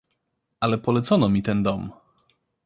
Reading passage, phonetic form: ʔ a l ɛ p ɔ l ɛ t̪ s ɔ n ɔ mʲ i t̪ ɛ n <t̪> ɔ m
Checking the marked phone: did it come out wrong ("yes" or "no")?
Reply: yes